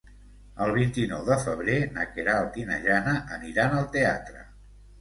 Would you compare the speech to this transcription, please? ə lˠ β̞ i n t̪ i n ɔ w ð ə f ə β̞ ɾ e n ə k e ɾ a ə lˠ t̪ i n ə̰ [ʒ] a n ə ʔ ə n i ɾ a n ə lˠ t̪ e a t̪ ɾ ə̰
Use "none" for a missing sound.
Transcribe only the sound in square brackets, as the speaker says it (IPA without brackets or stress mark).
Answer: ʒ